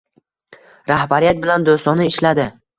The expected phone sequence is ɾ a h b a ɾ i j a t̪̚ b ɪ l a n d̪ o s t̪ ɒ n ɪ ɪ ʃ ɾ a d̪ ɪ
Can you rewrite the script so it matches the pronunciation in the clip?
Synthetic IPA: ɾ a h b a ɾ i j a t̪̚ b ɪ l a n d̪ o s t̪ ɒ n ɪ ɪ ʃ l a d̪ ɪ